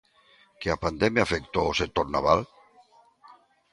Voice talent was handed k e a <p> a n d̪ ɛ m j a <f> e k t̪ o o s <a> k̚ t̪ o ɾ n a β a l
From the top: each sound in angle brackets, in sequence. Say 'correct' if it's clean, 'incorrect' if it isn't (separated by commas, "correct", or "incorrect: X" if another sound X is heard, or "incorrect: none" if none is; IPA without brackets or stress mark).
correct, correct, incorrect: e